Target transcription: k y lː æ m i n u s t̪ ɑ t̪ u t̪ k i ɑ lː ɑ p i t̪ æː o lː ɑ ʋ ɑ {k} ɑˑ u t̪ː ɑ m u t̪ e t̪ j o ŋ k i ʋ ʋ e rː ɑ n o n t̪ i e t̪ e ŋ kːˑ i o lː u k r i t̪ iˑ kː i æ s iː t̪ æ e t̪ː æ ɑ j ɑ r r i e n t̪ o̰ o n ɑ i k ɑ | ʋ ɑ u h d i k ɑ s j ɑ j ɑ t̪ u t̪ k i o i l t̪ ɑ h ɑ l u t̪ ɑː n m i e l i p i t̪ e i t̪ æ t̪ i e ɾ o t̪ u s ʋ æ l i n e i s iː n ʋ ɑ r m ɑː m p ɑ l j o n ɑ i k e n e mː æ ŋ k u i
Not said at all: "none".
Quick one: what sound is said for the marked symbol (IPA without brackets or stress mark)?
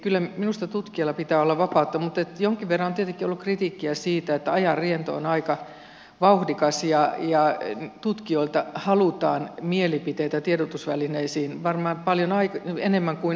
p